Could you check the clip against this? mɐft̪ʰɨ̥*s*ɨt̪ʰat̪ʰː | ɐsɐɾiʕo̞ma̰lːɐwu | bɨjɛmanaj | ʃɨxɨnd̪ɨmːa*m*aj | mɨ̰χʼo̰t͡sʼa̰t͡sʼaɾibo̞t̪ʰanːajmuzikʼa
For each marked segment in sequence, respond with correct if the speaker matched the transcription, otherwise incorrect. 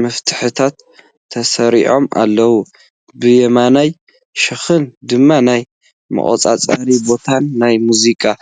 incorrect: ħ, incorrect: n

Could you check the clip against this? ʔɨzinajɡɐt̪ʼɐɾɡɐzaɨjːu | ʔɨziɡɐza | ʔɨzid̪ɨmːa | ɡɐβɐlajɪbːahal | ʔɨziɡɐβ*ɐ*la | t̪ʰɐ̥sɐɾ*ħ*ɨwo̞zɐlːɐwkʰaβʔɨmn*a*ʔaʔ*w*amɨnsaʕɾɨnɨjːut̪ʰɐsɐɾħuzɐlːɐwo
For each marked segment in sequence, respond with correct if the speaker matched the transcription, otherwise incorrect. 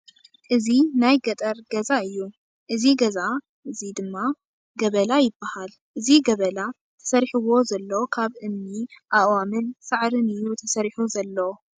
correct, correct, incorrect: i, correct

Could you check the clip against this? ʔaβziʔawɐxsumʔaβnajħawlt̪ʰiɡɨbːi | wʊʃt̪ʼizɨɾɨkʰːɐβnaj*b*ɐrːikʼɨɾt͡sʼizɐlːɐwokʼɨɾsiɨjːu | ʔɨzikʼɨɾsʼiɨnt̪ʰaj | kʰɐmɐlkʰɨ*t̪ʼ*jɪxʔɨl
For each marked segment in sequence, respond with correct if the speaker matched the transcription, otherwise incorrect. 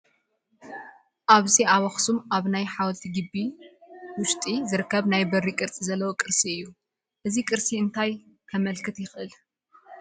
correct, incorrect: t̪

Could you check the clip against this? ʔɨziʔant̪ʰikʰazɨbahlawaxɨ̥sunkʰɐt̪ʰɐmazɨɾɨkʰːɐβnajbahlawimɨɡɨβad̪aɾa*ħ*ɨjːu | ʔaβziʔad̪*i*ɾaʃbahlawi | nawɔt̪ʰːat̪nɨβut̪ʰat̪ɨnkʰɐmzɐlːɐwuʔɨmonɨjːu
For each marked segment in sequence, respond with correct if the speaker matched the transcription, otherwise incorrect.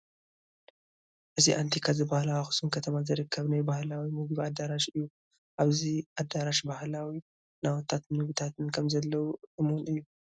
incorrect: ʃ, incorrect: a

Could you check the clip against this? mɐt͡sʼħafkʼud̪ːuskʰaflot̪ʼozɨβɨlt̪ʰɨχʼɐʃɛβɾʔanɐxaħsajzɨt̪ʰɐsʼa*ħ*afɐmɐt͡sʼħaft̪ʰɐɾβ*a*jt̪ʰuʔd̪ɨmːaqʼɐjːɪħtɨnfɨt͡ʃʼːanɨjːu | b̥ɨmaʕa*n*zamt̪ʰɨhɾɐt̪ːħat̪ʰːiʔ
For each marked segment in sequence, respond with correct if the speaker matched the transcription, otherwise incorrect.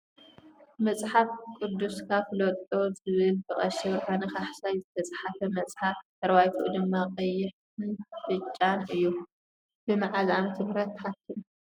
correct, correct, incorrect: none

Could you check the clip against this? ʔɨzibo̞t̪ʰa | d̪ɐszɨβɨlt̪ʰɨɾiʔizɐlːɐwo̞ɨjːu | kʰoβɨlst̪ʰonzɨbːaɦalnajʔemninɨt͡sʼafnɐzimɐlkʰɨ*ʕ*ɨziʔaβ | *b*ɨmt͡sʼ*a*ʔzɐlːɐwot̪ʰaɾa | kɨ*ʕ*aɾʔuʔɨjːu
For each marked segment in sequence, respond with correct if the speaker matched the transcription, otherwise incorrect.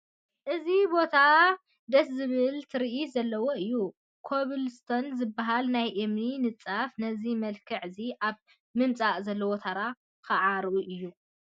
correct, incorrect: m, correct, correct

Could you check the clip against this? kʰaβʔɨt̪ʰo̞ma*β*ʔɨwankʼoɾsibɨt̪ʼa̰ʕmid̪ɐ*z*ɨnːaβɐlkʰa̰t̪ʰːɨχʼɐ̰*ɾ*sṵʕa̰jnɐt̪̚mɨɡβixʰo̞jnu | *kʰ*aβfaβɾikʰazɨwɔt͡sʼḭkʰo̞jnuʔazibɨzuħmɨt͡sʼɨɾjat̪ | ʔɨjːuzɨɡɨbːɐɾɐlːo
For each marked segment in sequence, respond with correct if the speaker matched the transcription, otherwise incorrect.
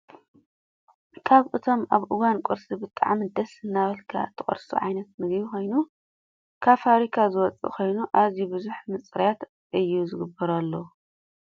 correct, incorrect: s, correct, correct

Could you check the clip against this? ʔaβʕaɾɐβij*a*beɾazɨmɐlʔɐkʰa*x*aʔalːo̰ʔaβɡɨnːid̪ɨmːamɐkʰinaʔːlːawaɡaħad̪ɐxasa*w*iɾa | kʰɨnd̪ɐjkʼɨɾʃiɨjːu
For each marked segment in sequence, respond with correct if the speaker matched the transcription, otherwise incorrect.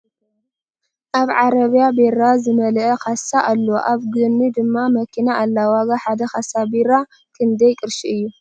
correct, incorrect: s, incorrect: b

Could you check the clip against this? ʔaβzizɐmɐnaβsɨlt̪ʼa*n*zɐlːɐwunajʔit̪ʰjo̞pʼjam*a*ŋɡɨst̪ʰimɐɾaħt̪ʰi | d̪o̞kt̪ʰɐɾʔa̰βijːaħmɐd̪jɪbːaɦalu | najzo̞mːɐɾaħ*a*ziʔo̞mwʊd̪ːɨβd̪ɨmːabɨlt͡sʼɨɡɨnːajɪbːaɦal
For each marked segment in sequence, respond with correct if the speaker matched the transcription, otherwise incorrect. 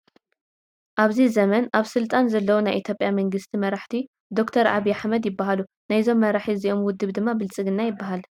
correct, incorrect: ɐ, incorrect: i

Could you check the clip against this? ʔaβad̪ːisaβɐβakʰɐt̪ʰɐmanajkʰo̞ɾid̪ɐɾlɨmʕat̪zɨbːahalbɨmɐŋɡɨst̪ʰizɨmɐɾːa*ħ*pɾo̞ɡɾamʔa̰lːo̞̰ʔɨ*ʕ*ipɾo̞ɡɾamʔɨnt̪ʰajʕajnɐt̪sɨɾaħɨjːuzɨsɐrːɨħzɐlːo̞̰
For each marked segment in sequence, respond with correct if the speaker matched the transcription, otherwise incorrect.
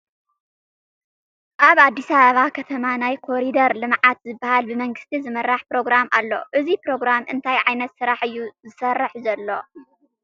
correct, incorrect: z

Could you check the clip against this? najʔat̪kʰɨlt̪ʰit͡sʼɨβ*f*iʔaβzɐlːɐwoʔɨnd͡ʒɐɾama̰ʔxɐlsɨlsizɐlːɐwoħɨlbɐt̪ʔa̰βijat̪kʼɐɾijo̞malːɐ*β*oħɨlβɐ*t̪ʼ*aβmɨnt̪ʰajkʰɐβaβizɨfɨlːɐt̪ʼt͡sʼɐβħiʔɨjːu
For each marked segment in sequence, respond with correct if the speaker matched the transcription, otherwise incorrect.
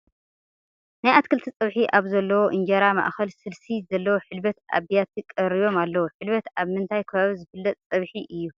incorrect: ħ, incorrect: w, incorrect: t̪

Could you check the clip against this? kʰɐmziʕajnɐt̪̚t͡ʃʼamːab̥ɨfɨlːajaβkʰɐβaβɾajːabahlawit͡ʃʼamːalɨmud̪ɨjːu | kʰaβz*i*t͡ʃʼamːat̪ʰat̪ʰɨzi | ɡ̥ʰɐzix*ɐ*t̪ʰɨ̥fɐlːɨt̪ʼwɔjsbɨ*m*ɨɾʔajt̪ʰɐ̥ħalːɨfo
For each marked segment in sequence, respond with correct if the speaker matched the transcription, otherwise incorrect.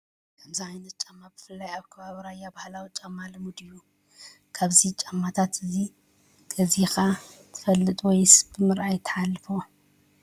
correct, incorrect: a, correct

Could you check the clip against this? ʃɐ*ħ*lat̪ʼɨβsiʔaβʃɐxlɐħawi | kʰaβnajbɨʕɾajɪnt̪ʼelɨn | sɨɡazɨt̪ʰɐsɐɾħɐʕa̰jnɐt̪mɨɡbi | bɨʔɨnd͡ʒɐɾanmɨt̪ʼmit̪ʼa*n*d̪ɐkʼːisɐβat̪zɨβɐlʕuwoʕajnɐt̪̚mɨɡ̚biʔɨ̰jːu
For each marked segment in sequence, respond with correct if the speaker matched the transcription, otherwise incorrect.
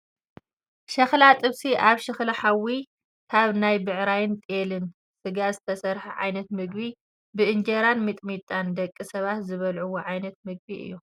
incorrect: x, correct

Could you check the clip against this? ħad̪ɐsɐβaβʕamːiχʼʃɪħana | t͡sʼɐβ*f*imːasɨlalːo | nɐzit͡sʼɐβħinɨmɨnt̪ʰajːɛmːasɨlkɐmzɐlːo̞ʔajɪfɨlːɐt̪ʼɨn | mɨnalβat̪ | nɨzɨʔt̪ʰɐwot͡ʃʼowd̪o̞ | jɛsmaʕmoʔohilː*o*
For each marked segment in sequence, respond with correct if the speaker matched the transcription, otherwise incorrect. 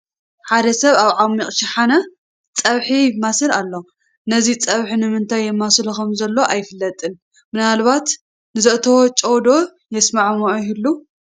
incorrect: ħ, incorrect: u

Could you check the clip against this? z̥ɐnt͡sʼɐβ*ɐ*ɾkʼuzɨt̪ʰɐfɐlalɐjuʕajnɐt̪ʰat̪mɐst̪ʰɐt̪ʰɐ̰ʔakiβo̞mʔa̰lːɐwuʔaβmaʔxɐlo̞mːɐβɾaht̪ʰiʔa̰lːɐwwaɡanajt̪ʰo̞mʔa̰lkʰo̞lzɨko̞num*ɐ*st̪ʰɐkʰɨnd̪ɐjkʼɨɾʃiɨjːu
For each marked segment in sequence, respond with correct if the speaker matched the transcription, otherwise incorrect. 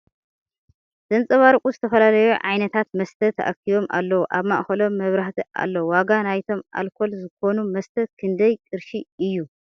incorrect: a, correct

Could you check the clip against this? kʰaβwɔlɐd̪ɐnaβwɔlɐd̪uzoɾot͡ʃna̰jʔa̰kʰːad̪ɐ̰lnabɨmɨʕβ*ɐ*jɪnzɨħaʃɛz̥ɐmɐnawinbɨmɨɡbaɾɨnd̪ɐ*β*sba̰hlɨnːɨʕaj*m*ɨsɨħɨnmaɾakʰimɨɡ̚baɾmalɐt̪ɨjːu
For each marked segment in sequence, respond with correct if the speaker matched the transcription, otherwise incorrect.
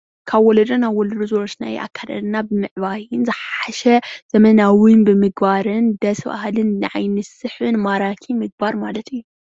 incorrect: a, incorrect: none, incorrect: n

